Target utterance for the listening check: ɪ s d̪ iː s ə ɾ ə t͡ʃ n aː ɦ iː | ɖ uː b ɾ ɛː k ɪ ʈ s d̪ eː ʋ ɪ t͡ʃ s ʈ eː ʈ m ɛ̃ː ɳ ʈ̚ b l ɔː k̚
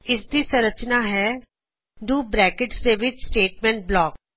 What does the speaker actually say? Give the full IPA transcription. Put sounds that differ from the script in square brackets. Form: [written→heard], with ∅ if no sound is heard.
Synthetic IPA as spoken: ɪ s d̪ iː s ə ɾ ə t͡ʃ n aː ɦ [iː→ɛː] | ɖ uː b ɾ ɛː k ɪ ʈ s d̪ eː ʋ ɪ t͡ʃ s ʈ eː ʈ m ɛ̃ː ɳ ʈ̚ b l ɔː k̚